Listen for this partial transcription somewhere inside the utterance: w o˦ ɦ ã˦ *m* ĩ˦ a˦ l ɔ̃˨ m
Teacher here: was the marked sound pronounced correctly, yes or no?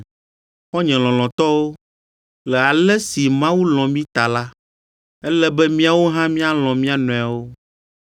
yes